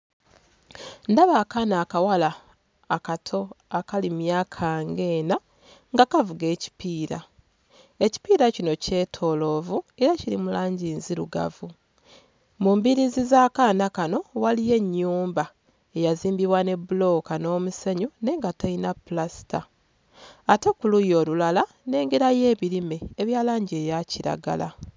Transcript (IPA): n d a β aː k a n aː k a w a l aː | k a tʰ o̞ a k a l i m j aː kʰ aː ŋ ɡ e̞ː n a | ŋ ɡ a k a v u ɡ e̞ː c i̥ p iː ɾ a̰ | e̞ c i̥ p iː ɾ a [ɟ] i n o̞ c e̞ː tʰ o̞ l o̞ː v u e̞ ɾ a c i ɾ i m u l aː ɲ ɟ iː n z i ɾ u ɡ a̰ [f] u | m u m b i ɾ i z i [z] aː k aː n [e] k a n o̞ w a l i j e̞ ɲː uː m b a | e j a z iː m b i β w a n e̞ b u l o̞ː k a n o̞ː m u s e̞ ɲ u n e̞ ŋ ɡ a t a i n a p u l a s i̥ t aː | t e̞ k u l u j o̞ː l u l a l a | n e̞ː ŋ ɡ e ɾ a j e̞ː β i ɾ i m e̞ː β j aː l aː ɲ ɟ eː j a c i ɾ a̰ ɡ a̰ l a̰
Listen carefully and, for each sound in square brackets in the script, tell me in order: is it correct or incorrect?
incorrect, incorrect, correct, incorrect

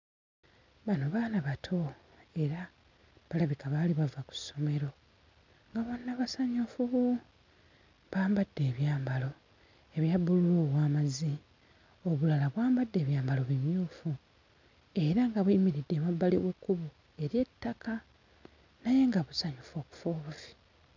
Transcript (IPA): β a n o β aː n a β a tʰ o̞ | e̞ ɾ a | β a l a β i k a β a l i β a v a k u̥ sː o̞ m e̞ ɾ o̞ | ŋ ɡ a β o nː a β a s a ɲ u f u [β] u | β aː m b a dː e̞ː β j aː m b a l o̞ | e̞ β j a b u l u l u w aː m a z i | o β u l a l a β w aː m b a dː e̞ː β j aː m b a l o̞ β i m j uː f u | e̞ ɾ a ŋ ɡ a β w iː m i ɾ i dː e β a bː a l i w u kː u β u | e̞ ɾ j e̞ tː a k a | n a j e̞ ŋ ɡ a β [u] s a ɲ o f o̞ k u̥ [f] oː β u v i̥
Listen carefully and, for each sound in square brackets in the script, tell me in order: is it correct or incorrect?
correct, correct, correct

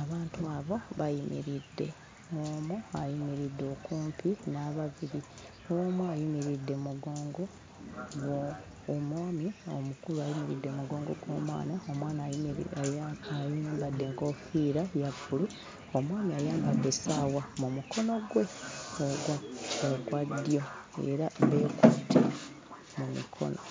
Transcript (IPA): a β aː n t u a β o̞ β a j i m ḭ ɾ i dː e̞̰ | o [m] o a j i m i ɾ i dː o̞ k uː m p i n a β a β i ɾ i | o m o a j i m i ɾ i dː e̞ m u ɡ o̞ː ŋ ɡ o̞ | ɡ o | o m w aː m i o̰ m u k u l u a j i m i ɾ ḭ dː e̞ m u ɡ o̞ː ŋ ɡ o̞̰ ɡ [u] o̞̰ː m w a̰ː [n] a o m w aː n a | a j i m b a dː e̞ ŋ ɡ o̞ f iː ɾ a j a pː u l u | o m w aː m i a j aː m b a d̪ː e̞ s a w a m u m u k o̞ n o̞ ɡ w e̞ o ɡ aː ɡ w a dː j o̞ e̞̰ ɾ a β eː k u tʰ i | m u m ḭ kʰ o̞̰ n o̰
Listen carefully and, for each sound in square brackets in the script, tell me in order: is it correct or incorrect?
correct, incorrect, correct

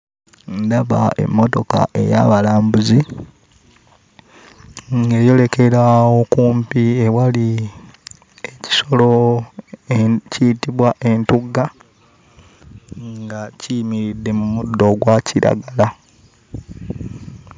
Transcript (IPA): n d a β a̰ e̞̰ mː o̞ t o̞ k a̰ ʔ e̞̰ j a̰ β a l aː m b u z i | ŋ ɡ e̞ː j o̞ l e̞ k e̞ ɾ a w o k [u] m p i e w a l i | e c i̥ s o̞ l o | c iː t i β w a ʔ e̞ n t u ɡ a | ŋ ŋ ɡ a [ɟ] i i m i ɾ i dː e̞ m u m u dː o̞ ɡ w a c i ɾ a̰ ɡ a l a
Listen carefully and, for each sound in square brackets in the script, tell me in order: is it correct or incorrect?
incorrect, incorrect

